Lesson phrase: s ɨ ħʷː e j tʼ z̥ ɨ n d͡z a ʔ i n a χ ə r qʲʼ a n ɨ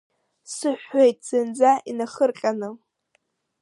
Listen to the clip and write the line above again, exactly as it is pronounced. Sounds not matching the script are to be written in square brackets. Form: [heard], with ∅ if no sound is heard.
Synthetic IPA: s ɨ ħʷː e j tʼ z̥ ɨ n d͡z a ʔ i n a χ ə r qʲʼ a n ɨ